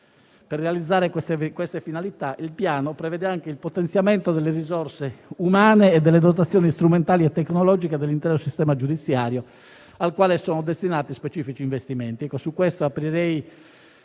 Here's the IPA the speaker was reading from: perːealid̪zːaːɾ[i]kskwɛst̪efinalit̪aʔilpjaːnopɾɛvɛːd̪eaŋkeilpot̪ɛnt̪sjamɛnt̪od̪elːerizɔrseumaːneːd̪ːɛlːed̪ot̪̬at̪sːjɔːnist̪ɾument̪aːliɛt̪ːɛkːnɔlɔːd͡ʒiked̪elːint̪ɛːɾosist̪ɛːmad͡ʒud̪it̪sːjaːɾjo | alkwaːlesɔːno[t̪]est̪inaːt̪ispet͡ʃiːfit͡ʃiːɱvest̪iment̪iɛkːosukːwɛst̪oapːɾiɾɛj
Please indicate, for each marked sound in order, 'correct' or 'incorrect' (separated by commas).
incorrect, incorrect